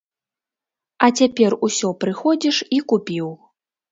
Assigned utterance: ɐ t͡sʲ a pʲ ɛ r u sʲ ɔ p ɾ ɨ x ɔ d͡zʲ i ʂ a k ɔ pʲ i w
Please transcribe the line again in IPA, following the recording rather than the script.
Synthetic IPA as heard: ɐ t͡sʲ a pʲ ɛ r u sʲ ɔ p ɾ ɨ x ɔ d͡zʲ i ʂ i k u pʲ i w

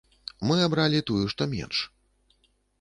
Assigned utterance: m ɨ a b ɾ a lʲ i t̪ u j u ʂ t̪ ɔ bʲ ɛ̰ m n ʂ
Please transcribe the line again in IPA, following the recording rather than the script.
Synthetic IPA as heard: m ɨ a b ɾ a lʲ i t̪ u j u ʂ t̪ ɔ mʲ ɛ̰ n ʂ

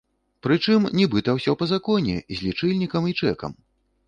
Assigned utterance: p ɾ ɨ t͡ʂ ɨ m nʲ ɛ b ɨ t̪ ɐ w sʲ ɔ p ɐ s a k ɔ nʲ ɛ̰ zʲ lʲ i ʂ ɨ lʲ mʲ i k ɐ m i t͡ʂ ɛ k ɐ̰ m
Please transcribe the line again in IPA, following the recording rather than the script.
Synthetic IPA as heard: p ɾ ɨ t͡ʂ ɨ m nʲ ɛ b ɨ t̪ ɐ w sʲ ɔ p ɐ z a k ɔ nʲ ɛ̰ zʲ lʲ i t͡ʂ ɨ lʲ nʲ i k ɐ m i t͡ʂ ɛ k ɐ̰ m

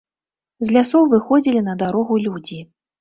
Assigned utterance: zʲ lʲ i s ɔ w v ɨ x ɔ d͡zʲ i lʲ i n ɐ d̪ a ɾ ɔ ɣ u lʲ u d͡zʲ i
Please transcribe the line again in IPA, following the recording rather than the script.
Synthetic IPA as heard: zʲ lʲ a s ɔ w v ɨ x ɔ d͡zʲ i lʲ i n ɐ d̪ a ɾ ɔ ɣ u lʲ u d͡zʲ i

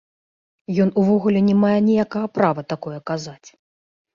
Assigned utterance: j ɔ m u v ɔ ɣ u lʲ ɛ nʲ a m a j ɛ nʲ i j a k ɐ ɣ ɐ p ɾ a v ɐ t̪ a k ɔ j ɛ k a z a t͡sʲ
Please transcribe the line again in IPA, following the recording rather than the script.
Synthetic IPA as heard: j ɔ n u v ɔ ɣ u lʲ ɛ nʲ ɛ m a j ɛ nʲ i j a k ɐ ɣ ɐ p ɾ a v ɐ t̪ a k ɔ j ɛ k a z a t͡sʲ

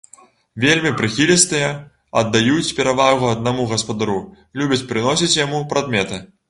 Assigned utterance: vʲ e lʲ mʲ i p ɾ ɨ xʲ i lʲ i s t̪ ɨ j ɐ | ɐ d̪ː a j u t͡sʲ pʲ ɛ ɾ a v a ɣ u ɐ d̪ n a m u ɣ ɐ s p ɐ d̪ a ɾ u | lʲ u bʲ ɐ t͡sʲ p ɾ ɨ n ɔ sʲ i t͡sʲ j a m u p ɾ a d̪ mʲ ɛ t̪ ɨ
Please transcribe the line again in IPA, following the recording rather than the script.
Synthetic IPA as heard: vʲ e lʲ mʲ i p ɾ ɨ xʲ i lʲ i s t̪ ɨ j ɐ | ɐ d̪ː a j u t͡sʲ pʲ ɛ ɾ a v a ɣ u ɐ d̪ n a m u ɣ ɐ s p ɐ d̪ a ɾ u | lʲ u bʲ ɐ t͡sʲ p ɾ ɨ n ɔ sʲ i t͡sʲ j a m u p ɾ a d̪ mʲ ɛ t̪ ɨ

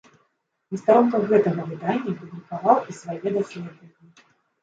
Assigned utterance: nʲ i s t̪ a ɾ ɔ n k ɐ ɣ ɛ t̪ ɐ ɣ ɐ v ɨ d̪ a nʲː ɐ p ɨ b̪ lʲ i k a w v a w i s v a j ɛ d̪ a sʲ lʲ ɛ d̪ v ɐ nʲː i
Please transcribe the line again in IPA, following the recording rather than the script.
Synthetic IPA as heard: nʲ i s t̪ a ɾ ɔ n k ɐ ɣ ɛ t̪ ɐ ɣ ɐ v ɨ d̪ a nʲː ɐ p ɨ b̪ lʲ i k a v a w i s v a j ɛ d̪ a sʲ lʲ ɛ d̪ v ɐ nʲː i

